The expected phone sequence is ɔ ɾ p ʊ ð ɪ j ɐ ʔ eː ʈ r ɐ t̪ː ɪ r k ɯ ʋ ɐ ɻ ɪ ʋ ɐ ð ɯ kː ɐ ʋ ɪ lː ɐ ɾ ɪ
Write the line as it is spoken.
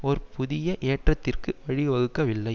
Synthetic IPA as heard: ɔ ɾ p ʊ ð ɪ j ɐ ʔ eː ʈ r ɐ t̪ː ɪ r k ɯ ʋ ɐ ɻ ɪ ʋ ɐ ɣ ɯ kː ɐ ʋ ɪ lː ɐ ɪ